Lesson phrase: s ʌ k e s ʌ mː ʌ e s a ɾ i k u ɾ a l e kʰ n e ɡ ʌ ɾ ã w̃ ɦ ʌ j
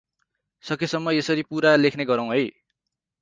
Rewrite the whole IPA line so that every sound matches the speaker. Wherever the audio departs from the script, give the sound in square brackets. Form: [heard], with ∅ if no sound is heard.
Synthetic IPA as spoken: s ʌ k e s ʌ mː ʌ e s [ʌ] ɾ i [p] u ɾ a l e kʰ n e ɡ ʌ ɾ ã w̃ ɦ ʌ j